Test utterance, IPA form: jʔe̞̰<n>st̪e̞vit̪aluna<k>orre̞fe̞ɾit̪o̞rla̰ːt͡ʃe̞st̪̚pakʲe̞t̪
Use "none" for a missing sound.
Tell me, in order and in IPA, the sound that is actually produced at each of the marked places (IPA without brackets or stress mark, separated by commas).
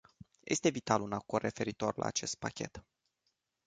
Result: none, k